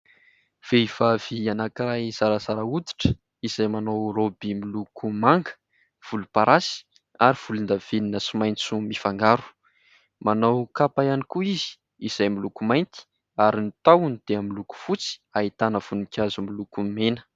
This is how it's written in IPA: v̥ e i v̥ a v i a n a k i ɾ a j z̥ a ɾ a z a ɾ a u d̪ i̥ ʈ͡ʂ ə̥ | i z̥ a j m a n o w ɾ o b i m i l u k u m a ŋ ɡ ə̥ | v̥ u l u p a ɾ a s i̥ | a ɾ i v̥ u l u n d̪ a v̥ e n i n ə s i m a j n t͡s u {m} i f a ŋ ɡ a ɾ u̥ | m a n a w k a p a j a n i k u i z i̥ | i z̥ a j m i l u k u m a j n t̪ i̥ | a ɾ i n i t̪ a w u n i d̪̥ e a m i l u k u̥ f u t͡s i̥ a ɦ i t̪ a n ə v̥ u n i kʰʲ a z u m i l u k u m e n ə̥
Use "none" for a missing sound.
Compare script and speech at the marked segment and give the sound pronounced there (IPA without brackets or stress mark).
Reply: m